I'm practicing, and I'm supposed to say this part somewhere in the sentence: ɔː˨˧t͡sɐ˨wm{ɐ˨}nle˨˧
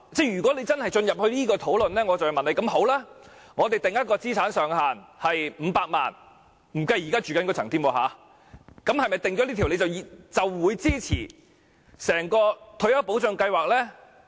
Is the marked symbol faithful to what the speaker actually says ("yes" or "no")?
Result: yes